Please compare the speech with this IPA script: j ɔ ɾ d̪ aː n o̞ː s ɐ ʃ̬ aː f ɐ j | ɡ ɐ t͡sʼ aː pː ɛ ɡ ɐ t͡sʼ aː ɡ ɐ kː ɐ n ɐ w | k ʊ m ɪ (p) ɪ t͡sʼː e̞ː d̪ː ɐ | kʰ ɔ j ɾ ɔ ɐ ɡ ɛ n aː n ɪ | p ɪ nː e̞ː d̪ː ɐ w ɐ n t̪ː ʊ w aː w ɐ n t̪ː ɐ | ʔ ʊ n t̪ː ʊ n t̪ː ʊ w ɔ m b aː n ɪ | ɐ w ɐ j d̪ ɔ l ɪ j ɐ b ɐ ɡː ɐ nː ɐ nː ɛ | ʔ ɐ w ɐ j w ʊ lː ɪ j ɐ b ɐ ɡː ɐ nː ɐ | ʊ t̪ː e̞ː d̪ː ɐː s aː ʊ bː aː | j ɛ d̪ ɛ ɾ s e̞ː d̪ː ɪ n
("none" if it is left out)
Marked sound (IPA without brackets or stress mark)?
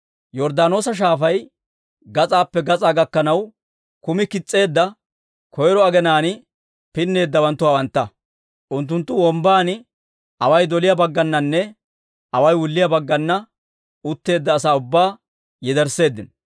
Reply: k